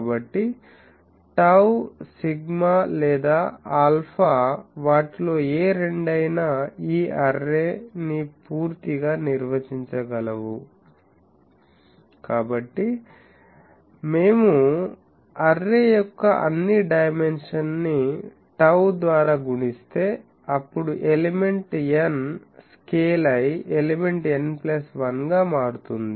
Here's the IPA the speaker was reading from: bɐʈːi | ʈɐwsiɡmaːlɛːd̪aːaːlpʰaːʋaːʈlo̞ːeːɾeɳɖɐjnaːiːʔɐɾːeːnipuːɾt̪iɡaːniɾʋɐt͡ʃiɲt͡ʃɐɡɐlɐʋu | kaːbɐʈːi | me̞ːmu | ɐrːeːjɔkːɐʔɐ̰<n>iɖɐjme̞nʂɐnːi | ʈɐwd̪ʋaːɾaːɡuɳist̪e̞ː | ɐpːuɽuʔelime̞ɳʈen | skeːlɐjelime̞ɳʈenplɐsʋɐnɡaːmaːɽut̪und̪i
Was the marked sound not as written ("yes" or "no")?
yes